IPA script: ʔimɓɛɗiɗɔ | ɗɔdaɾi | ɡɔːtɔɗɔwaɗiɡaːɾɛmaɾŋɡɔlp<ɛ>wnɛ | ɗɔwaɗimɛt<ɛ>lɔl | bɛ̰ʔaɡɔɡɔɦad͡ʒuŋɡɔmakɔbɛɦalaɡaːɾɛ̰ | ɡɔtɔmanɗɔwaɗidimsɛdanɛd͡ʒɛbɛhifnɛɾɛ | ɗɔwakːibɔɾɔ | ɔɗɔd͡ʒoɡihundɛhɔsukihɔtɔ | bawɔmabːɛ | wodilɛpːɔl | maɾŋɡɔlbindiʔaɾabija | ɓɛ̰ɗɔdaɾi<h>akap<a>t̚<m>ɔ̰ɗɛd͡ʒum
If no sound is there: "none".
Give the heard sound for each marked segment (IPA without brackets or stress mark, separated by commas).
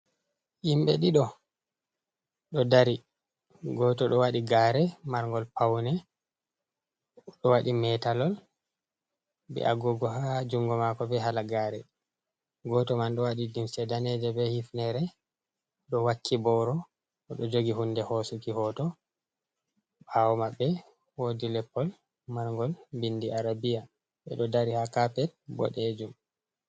a, a, h, ɛ, b